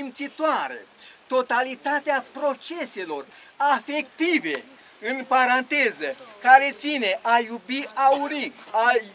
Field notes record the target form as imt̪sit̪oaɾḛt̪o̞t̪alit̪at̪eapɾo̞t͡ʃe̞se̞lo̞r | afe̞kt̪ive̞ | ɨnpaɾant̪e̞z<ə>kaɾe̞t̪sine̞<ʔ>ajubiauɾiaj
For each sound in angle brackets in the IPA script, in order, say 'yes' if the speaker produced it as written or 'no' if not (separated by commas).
yes, yes